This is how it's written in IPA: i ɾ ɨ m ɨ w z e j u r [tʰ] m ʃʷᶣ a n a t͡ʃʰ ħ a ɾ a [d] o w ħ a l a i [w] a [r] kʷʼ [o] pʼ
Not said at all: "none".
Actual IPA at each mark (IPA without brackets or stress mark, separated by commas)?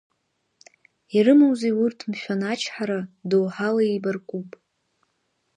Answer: tʰ, d, b, r, u